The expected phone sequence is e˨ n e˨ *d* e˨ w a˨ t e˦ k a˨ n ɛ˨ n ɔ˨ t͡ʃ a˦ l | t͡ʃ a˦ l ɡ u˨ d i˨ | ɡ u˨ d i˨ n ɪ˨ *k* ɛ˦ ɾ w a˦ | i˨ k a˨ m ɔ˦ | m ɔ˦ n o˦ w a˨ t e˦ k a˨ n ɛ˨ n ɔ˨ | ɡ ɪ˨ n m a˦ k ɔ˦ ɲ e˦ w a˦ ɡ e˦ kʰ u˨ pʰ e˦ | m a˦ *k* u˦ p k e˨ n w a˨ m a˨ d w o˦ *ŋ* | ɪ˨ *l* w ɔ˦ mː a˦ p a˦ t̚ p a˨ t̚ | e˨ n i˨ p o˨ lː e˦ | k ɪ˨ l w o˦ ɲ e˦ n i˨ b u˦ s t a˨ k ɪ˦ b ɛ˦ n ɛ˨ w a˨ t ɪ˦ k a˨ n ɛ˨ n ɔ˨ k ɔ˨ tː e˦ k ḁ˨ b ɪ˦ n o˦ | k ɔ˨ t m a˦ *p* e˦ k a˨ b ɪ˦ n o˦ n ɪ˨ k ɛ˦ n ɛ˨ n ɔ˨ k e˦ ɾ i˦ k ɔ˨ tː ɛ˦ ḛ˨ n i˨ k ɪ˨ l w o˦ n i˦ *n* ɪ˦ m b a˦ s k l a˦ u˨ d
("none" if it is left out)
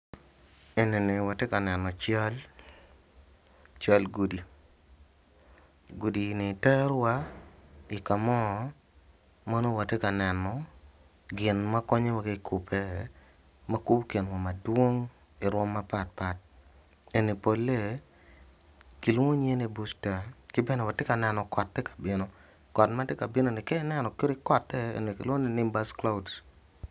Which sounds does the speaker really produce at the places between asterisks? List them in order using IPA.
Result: n, t, k, ŋ, ɾ, t, n

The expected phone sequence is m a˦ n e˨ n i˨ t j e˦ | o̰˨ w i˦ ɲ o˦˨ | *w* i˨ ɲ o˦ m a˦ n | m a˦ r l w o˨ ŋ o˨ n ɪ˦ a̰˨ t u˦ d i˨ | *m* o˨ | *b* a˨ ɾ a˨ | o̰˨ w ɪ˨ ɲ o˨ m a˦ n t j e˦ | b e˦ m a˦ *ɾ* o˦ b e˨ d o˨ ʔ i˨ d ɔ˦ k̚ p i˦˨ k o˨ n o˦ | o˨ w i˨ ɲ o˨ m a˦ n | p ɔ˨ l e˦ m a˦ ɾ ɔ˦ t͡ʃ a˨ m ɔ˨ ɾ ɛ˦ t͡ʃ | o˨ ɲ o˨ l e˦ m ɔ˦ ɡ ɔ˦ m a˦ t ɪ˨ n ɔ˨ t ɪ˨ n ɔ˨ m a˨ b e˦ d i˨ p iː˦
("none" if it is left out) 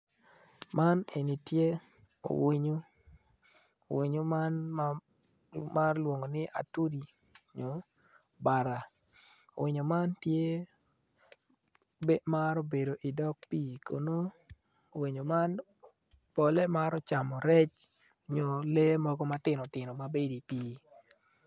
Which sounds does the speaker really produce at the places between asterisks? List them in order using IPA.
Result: w, ɲ, b, ɾ

